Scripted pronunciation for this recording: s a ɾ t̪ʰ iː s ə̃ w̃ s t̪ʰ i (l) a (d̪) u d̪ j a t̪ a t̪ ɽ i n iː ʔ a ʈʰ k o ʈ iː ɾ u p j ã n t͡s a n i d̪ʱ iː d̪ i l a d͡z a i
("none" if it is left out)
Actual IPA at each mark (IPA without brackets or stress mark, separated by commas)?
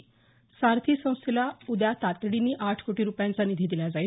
l, none